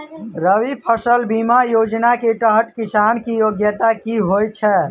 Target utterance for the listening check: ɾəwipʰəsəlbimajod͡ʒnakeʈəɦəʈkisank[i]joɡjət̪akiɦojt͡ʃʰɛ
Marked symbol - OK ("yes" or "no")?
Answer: yes